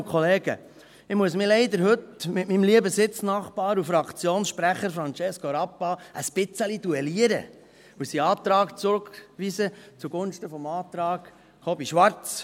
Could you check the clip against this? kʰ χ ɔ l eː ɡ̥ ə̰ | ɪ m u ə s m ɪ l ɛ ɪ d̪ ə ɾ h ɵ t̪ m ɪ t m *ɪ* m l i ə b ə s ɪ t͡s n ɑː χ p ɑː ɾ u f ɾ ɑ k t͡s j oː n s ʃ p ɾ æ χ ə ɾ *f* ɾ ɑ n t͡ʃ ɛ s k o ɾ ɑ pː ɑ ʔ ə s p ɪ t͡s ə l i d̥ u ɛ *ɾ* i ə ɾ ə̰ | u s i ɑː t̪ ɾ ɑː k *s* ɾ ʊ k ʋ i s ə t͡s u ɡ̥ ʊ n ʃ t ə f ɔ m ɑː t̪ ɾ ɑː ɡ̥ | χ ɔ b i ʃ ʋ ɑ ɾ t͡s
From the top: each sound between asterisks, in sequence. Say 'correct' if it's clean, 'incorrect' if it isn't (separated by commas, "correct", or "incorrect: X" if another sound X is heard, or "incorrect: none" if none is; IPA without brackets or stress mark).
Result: incorrect: i, correct, incorrect: l, incorrect: t͡s